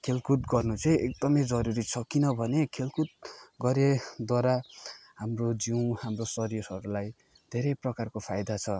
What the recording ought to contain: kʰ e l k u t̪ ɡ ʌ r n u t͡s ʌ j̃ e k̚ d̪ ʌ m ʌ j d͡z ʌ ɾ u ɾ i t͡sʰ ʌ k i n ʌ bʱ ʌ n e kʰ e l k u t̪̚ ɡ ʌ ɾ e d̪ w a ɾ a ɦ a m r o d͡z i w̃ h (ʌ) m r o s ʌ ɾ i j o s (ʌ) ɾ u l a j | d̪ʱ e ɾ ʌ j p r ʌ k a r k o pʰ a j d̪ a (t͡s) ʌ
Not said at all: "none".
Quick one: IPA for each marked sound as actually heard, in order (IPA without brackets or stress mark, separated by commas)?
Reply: a, ʌ, t͡sʰ